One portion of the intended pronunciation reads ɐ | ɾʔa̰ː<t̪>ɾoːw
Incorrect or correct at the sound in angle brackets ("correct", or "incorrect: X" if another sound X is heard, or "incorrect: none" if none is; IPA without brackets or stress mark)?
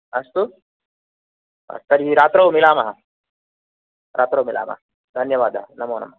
correct